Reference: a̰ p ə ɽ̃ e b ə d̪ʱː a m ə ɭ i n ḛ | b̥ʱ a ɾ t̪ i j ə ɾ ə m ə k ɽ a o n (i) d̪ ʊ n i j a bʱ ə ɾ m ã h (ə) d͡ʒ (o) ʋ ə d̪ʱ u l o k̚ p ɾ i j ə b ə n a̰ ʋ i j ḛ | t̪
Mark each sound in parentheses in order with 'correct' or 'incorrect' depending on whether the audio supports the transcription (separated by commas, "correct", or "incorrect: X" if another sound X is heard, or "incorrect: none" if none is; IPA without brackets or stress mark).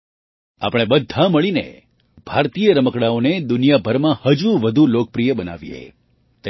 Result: incorrect: e, correct, incorrect: u